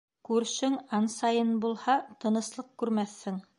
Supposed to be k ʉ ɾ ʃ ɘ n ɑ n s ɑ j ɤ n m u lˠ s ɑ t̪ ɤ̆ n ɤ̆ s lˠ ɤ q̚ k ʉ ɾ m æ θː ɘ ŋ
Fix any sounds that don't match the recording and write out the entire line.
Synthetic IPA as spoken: k ʉ ɾ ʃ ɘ ŋ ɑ n s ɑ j ɤ n b u lˠ h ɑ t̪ ɤ̆ n ɤ̆ s lˠ ɤ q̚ k ʉ ɾ m æ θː ɘ ŋ

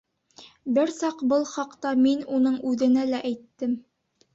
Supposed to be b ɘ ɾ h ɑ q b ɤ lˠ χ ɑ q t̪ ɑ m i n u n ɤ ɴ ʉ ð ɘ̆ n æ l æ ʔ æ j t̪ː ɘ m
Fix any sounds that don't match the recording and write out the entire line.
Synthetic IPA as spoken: b ɘ ɾ s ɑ q b ɤ lˠ χ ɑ q t̪ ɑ m i n u n ɤ ɴ ʉ ð ɘ̆ n æ l æ ʔ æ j t̪ː ɘ m

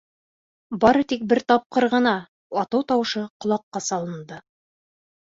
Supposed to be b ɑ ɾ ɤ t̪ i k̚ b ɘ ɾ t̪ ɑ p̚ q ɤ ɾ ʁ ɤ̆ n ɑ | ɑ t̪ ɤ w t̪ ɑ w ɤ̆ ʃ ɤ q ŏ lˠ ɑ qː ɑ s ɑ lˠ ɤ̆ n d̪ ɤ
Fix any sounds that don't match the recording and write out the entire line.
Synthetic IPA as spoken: b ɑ ɾ ɤ t̪ i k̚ b ɘ ɾ t̪ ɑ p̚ q ɤ ɾ ʁ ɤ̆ n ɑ | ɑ t̪ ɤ w t̪ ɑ w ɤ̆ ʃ ɤ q ŏ lˠ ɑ qː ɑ s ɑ lˠ ɤ̆ n d̪ ɤ

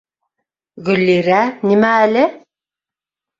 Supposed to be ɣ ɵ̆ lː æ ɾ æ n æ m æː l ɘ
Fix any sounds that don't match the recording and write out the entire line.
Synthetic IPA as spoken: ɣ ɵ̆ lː i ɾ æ n i m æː l ɘ

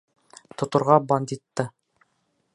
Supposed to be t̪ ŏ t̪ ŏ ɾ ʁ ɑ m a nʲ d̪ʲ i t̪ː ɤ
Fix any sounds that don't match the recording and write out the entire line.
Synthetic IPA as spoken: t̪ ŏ t̪ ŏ ɾ ʁ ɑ b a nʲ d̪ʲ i t̪ː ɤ

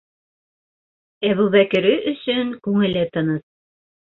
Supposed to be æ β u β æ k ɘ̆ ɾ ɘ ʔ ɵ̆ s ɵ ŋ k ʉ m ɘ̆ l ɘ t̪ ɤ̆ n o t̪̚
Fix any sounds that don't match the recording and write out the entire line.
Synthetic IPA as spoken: æ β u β æ k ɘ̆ ɾ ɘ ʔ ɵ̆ s ɵ ŋ k ʉ ŋ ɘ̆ l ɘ t̪ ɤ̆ n ɤ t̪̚

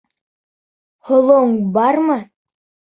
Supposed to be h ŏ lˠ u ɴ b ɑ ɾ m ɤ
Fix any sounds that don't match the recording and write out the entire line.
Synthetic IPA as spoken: h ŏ lˠ o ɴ b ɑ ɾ m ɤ

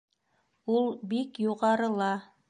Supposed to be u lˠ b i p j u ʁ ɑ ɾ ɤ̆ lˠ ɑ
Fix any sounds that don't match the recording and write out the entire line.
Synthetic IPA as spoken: u lˠ b i k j u ʁ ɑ ɾ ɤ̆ lˠ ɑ

